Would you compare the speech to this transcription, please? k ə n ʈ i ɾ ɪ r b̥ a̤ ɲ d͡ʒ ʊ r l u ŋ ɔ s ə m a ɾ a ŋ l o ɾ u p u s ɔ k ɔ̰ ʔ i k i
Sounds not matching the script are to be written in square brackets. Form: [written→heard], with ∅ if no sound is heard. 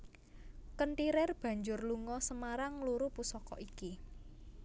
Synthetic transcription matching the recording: k ə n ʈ i ɾ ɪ r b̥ a̤ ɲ d͡ʒ ʊ r l u ŋ ɔ s ə m a ɾ a ŋ l [o→u] ɾ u p u s ɔ k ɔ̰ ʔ i k i